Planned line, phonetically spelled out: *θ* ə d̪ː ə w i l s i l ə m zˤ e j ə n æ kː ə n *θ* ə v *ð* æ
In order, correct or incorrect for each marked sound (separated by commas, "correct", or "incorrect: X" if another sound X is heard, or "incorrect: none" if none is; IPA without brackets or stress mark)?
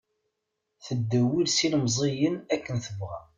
correct, correct, incorrect: ʁ